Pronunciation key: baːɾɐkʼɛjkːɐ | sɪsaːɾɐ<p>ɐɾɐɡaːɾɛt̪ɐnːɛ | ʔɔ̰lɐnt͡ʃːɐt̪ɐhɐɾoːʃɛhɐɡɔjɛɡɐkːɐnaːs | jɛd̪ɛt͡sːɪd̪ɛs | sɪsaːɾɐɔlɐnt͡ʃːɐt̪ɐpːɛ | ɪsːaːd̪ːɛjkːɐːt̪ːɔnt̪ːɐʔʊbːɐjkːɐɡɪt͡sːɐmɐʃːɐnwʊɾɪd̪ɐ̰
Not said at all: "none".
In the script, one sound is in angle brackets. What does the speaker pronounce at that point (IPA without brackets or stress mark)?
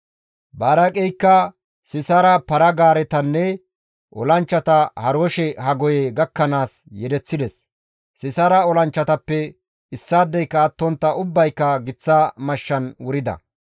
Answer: p